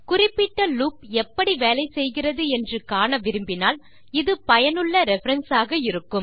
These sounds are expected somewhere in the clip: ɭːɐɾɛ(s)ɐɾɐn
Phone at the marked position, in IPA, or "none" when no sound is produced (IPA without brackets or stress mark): f